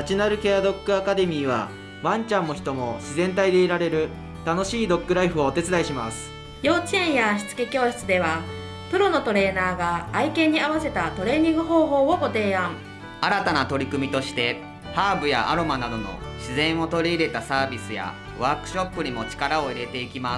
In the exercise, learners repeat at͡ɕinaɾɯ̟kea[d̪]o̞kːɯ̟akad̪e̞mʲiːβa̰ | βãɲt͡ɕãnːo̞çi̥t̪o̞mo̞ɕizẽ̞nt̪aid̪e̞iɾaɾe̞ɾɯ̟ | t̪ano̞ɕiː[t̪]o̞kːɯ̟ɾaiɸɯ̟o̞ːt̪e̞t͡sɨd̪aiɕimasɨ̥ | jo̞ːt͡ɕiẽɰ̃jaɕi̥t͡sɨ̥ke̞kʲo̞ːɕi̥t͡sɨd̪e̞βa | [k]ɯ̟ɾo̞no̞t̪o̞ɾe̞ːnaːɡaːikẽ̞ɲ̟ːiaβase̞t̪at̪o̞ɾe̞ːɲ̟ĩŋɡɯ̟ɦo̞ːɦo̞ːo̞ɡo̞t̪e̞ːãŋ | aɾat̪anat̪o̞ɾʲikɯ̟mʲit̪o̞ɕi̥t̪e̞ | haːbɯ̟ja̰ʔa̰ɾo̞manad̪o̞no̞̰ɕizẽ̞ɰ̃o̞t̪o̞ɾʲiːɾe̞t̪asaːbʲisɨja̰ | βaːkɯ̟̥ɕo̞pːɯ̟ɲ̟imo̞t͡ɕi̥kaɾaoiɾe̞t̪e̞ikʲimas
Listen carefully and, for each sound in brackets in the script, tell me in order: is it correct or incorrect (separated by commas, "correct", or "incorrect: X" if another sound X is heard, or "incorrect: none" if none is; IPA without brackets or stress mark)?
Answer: correct, incorrect: d̪, incorrect: p